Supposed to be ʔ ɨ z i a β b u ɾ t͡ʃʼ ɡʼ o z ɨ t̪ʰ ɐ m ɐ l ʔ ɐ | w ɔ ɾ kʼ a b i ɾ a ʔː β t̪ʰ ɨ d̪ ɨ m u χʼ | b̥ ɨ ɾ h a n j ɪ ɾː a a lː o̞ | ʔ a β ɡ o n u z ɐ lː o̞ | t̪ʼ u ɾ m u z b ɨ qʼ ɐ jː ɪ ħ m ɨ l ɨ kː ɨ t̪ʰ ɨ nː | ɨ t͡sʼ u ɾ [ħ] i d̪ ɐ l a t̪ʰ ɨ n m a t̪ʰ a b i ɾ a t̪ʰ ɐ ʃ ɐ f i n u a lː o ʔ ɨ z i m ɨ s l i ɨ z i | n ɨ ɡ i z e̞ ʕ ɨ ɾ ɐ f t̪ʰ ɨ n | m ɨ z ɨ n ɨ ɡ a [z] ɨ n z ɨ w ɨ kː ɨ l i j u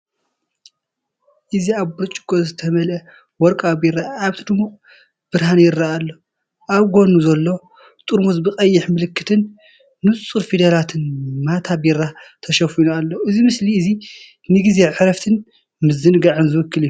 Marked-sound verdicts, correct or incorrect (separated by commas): incorrect, incorrect